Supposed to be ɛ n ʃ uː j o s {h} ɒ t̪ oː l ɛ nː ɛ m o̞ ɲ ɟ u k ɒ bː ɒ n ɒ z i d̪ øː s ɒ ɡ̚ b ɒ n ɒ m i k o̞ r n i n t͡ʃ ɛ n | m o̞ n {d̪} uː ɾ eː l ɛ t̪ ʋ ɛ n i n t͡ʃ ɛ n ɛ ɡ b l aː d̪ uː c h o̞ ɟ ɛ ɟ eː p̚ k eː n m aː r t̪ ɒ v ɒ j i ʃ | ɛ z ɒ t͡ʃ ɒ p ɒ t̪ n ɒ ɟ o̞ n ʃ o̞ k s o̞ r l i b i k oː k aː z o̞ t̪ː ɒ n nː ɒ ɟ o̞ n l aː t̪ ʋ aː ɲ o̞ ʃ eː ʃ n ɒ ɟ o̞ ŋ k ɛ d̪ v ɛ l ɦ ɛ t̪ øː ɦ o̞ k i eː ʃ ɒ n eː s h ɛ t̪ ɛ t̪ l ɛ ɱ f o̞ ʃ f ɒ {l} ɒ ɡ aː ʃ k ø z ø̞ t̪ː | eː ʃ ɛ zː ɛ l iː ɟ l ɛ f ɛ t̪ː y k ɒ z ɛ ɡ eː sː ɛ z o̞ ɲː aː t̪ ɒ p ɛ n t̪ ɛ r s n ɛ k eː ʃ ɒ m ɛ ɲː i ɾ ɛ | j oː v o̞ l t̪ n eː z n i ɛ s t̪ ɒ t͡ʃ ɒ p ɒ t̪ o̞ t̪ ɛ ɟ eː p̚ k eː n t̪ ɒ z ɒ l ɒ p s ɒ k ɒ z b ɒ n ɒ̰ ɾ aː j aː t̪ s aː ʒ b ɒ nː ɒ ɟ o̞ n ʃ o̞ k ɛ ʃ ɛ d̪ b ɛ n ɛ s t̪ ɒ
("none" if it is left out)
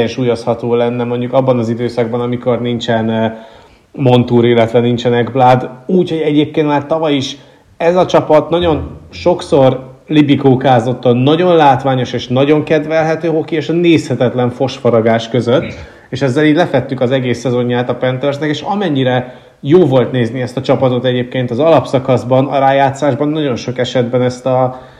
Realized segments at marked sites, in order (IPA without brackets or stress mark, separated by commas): h, t̪, ɾ